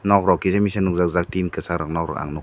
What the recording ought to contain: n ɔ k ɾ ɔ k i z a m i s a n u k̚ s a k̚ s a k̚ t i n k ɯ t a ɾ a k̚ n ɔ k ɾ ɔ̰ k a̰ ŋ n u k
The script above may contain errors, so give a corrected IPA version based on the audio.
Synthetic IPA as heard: n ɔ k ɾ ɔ k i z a m i s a n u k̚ z a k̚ z a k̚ t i n k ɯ s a ɾ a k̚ n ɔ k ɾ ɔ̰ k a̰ ŋ n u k